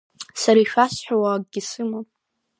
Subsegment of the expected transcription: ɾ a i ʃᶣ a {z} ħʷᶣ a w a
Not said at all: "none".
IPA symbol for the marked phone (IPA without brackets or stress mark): s